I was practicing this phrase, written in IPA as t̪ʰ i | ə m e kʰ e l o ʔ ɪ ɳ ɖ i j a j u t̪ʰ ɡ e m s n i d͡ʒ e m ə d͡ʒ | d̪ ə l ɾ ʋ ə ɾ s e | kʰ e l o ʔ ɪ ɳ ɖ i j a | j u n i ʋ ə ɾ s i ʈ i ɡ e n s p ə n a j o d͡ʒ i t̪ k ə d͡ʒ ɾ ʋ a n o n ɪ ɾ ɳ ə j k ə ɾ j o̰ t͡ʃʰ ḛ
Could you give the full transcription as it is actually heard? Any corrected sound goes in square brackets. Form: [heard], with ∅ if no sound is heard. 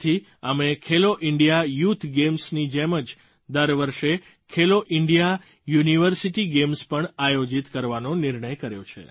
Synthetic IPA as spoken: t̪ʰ i | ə m e kʰ e l o ʔ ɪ ɳ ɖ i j a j u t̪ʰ ɡ e m s n i d͡ʒ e m ə d͡ʒ | d̪ ə [∅] ɾ ʋ ə ɾ [ʃ] e | kʰ e l o ʔ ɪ ɳ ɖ i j a | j u n i ʋ ə ɾ s i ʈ i ɡ e [m] s p ə [ɳ] a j o d͡ʒ i t̪ k ə [∅] ɾ ʋ a n o n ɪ ɾ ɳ ə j k ə ɾ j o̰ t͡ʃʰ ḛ